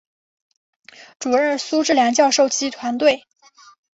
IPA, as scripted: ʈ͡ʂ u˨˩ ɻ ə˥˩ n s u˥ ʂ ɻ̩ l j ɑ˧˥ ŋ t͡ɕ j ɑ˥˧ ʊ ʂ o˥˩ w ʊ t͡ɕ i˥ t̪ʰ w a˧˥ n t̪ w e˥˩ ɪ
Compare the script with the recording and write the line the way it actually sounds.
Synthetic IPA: ʈ͡ʂ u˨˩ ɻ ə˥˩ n s u˥ ʈ͡ʂ ɻ̩ l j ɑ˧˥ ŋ t͡ɕ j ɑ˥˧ ʊ ʂ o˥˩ ʊ t͡ɕ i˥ t̪ʰ w a˧˥ n t̪ w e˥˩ ɪ